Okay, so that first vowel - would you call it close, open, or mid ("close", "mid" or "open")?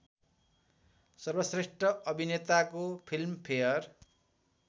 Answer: mid